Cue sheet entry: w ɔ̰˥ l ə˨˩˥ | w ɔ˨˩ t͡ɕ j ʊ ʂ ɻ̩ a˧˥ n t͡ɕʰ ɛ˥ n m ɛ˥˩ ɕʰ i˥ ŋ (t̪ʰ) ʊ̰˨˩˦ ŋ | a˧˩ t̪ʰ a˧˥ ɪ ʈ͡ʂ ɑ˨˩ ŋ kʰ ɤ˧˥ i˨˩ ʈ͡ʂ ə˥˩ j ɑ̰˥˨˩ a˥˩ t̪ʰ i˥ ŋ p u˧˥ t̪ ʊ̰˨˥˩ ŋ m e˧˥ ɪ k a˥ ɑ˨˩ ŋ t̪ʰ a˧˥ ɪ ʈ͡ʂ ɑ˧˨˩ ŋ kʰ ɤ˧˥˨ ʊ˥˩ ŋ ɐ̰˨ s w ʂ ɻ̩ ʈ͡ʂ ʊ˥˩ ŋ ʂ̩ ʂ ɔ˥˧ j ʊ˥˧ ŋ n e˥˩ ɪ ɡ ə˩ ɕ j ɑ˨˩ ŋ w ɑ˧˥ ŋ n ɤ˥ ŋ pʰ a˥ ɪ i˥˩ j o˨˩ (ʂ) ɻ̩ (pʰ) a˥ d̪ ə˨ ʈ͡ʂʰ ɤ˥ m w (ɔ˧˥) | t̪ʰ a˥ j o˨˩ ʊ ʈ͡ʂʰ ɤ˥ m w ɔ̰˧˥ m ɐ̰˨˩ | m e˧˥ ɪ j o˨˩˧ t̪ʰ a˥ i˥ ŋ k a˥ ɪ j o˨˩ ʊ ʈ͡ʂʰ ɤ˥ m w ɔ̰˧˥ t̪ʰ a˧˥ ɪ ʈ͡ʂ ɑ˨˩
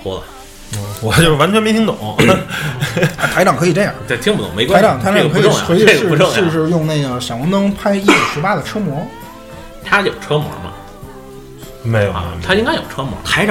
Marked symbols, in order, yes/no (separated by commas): no, yes, no, yes